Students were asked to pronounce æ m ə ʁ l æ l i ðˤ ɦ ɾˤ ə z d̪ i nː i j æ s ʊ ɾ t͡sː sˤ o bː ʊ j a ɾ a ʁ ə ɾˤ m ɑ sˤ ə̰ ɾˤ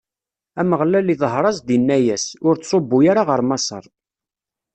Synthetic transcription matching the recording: æ m ə ʁ l æ l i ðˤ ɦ ɾˤ ɑ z d̪ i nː æ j æ s ʊ ɾ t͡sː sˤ o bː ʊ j a ɾ a ʁ ə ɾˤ m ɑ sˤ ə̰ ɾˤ